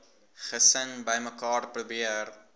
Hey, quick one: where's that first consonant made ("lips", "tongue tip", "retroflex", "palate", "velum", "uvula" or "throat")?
uvula